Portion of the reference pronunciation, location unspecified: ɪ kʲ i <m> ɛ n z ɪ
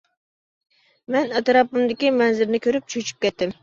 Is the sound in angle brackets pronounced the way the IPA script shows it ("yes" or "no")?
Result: yes